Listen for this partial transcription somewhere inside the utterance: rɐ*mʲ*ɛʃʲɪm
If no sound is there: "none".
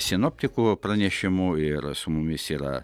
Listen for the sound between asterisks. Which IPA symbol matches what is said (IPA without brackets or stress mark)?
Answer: nʲ